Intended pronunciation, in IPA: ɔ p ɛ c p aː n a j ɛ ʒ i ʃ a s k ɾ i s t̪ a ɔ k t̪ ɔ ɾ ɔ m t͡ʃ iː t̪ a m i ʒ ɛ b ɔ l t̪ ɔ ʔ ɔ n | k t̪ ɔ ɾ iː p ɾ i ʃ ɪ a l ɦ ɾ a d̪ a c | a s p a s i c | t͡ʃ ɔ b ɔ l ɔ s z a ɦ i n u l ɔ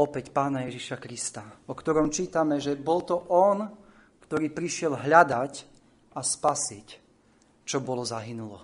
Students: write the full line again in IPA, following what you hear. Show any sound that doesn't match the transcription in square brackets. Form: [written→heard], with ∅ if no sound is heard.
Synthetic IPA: ɔ p ɛ c p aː n a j ɛ ʒ i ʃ a [s→∅] k ɾ i s t̪ a ɔ k t̪ ɔ ɾ ɔ m t͡ʃ iː t̪ a m [i→ɛ] ʒ ɛ b ɔ l t̪ ɔ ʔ ɔ n | k t̪ ɔ ɾ iː p ɾ i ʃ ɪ [a→ɛ] l ɦ [ɾ→ʎ] a d̪ a c | a s p a s i c | t͡ʃ ɔ b ɔ l ɔ [s→∅] z a ɦ i n u l ɔ